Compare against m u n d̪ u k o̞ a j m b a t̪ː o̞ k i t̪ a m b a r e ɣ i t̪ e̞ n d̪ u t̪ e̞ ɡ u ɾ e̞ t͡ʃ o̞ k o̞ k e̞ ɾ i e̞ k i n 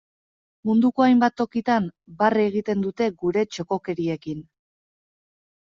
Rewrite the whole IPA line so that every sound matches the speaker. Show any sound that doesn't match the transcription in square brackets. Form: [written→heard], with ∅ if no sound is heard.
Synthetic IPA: m u n d̪ u k o̞ a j m b a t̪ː o̞ k i t̪ a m b a r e ɣ i t̪ e̞ n d̪ u t̪ e̞ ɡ u ɾ e̞ t͡ʃ o̞ k o̞ k e̞ ɾ i e̞ k i n

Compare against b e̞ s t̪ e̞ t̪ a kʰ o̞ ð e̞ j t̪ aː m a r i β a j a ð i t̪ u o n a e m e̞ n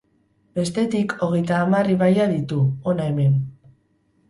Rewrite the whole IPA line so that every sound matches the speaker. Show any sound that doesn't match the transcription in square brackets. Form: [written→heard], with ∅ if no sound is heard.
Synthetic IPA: b e̞ s t̪ e̞ t̪ [a→i] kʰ o̞ [ð→ɣ] e̞ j t̪ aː m a r i β a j a ð i t̪ u o n a e m e̞ n

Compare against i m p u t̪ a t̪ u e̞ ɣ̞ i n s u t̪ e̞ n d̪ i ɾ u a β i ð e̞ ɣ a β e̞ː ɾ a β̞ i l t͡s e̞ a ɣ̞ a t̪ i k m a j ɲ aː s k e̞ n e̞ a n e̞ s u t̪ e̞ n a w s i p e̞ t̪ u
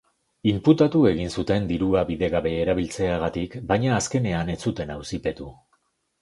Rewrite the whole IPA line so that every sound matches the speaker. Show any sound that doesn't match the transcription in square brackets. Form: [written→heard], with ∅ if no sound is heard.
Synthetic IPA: i m p u t̪ a t̪ u e̞ ɣ̞ i n s u t̪ e̞ n d̪ i ɾ u a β i ð e̞ ɣ a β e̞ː ɾ a β̞ i l t͡s e̞ a ɣ̞ a t̪ i k [m→b] a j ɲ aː s k e̞ n e̞ a n e̞ [s→t͡s] u t̪ e̞ n a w s i p e̞ t̪ u

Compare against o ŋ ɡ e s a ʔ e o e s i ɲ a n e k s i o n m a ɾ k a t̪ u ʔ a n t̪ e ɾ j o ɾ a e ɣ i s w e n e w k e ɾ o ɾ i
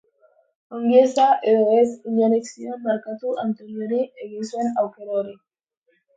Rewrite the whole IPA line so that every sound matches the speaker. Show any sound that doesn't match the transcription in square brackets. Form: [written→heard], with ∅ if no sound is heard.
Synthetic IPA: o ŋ ɡ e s a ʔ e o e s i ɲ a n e k s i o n m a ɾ k a t̪ u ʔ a n t̪ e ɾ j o ɾ [a→i] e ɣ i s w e n [e→a] w k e ɾ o ɾ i

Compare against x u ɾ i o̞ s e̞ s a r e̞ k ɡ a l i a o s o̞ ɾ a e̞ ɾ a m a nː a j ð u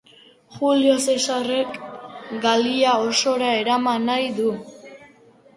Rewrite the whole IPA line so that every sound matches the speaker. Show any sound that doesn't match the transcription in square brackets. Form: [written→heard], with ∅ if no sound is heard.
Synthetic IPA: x u [ɾ→l] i o̞ s e̞ s a r e̞ k ɡ a l i a o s o̞ ɾ a e̞ ɾ a m a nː a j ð u

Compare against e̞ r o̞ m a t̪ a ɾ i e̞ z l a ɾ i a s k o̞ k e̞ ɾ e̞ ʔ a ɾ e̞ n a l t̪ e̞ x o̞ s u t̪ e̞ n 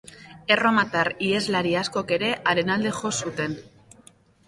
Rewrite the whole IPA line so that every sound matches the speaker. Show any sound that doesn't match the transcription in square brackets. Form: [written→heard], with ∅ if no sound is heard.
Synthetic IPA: e̞ r o̞ m a t̪ a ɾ i e̞ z l a ɾ i a s k o̞ k e̞ ɾ e̞ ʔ a ɾ e̞ n a l [t̪→d̪] e̞ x o̞ s u t̪ e̞ n

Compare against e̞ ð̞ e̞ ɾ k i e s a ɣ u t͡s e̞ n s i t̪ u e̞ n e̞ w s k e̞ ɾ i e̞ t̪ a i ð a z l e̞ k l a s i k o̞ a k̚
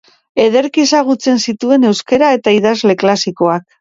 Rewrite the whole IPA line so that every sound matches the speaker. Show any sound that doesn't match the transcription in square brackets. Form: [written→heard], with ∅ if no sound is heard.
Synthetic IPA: e̞ ð̞ e̞ ɾ k i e s a ɣ u t͡s e̞ n s i t̪ u e̞ n e̞ w s k e̞ ɾ [i→a] e̞ t̪ a i ð a z l e̞ k l a s i k o̞ a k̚

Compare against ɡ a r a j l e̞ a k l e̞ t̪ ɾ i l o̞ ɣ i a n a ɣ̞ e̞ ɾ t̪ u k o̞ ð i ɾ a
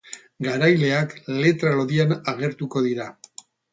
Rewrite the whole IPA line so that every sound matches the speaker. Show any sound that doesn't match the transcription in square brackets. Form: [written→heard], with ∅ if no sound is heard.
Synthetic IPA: ɡ a [r→ɾ] a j l e̞ a k l e̞ t̪ ɾ [i→a] l o̞ [ɣ→ð] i a n a ɣ̞ e̞ ɾ t̪ u k o̞ ð i ɾ a

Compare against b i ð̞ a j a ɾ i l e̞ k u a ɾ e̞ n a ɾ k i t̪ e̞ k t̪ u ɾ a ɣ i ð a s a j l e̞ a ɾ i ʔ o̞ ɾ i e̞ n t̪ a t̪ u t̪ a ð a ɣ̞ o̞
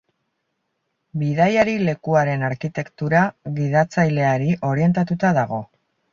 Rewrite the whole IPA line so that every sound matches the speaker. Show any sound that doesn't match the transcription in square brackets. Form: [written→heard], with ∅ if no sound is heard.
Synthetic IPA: b i ð̞ a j a ɾ i l e̞ k u a ɾ e̞ n a ɾ k i t̪ e̞ k t̪ u ɾ a ɣ i ð a [s→t͡s] a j l e̞ a ɾ i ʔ o̞ ɾ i e̞ n t̪ a t̪ u t̪ a ð a ɣ̞ o̞

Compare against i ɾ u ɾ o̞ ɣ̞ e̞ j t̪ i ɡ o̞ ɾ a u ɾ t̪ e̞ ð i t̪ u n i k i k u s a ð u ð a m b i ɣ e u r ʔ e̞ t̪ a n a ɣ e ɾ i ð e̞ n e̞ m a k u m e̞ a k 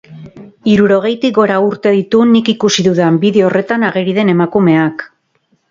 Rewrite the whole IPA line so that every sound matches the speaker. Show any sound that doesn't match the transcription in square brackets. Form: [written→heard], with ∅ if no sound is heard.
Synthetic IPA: i ɾ u ɾ o̞ ɣ̞ e̞ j t̪ i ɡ o̞ ɾ a u ɾ t̪ e̞ ð i t̪ u n i k i k u s [a→i] ð u ð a m b i [ɣ→ð] e [u→o] r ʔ e̞ t̪ a n a ɣ e ɾ i ð e̞ n e̞ m a k u m e̞ a k

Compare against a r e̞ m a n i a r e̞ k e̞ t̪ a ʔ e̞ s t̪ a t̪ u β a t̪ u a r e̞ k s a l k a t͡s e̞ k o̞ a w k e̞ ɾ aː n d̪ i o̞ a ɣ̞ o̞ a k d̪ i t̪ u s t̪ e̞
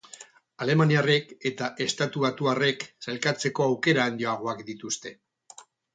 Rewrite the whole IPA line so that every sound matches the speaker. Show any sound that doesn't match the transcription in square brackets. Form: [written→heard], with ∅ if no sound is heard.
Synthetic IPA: a [r→l] e̞ m a n i a r e̞ k e̞ t̪ a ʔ e̞ s t̪ a t̪ u β a t̪ u a r e̞ k s a l k a t͡s e̞ k o̞ a w k e̞ ɾ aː n d̪ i o̞ a ɣ̞ o̞ a k d̪ i t̪ u s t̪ e̞

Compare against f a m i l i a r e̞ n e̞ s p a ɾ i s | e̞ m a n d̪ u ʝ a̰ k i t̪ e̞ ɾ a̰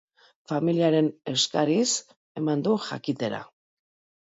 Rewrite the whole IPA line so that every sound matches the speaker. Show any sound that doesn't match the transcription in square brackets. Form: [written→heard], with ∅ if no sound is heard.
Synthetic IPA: f a m i l i a [r→ɾ] e̞ n e̞ s [p→k] a ɾ i s | e̞ m a n d̪ u ʝ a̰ k i t̪ e̞ ɾ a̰

